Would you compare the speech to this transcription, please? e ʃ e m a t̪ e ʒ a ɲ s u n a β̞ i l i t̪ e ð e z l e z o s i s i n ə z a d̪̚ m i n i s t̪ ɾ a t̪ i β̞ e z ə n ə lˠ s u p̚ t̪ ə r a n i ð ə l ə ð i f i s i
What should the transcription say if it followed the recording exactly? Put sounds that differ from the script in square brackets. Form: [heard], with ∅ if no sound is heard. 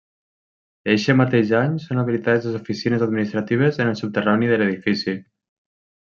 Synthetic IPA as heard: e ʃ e m a t̪ e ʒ a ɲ s [o] n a β̞ i l i t̪ [a] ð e z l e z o [f] i s i n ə z a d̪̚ m i n i s t̪ ɾ a t̪ i β̞ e z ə n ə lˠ s u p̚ t̪ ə r a n i ð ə l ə ð i f i s i